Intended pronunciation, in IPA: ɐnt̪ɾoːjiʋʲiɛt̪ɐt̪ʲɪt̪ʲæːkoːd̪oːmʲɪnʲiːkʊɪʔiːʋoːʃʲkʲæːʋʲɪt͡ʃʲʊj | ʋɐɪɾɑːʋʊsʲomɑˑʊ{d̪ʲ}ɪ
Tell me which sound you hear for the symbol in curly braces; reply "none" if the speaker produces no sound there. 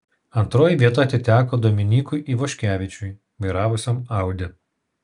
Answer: d̪ʲ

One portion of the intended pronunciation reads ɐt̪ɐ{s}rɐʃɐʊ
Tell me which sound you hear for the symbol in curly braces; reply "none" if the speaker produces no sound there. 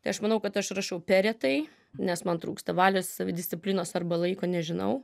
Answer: ʃ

